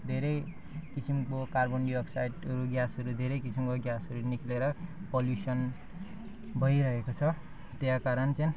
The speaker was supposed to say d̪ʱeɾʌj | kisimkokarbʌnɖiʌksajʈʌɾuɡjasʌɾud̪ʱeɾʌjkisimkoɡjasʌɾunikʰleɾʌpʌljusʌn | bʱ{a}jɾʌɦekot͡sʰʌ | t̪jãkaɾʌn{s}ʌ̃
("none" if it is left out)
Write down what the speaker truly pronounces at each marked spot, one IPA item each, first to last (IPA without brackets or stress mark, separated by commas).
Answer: ʌ, t͡s